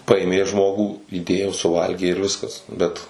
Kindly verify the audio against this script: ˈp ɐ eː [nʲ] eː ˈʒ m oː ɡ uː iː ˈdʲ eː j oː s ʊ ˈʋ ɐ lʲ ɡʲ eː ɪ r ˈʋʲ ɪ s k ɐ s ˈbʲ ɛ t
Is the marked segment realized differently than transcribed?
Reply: yes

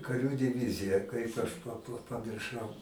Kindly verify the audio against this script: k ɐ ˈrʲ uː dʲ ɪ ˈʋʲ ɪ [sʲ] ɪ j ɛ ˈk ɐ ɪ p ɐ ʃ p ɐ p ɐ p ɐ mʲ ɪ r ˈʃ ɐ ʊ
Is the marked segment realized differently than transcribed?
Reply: yes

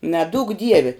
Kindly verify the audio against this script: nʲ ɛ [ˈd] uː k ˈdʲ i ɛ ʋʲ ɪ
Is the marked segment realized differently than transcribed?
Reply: no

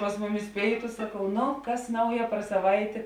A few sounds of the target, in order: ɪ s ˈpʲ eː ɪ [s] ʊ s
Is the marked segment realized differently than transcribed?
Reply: yes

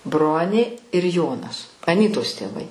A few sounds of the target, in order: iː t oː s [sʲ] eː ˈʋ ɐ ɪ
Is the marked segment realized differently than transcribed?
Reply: yes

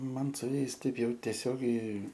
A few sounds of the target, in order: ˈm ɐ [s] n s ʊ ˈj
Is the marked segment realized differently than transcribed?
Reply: yes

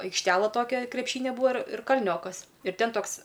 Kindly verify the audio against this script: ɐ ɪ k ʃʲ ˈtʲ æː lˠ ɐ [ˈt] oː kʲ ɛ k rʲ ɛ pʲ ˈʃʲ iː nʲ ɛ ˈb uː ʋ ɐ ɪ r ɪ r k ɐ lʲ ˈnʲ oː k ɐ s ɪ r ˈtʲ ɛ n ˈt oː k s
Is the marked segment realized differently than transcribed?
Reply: no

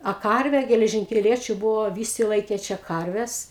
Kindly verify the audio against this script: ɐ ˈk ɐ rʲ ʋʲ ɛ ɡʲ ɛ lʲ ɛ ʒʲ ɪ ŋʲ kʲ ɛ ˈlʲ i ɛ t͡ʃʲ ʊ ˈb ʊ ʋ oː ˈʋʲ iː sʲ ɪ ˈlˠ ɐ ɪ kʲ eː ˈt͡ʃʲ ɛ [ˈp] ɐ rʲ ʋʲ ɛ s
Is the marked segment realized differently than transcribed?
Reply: yes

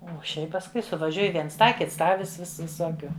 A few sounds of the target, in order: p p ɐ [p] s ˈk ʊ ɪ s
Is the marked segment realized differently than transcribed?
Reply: yes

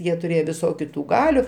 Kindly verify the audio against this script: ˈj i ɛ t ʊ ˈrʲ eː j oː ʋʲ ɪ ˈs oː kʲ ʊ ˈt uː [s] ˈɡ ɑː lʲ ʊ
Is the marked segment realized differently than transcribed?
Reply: yes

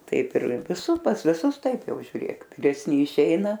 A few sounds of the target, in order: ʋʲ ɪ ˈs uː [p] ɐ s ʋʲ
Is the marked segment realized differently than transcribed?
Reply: no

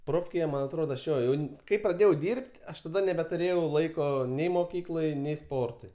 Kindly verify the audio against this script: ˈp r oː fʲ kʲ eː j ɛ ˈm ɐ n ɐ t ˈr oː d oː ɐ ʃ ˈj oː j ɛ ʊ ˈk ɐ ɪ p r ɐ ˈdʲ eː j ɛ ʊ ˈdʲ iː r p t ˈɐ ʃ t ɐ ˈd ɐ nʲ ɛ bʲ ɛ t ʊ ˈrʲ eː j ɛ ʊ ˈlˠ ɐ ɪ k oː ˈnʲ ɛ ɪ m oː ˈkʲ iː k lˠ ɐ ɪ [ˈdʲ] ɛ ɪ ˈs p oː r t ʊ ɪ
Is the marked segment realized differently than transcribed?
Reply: yes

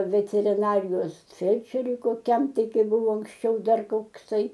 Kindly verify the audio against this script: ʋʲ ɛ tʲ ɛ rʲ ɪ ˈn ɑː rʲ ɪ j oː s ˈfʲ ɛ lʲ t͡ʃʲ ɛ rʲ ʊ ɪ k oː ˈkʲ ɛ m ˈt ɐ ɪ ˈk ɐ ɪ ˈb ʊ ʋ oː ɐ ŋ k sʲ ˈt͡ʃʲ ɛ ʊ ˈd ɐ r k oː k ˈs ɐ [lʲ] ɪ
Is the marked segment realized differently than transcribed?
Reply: yes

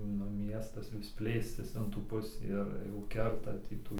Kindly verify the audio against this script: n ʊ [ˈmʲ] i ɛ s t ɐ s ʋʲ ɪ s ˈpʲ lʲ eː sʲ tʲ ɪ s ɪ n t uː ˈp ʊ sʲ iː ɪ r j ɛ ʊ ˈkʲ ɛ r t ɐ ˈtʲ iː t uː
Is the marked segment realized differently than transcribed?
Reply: no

